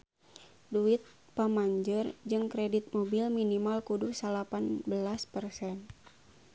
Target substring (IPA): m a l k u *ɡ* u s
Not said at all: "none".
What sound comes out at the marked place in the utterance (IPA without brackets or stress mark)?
d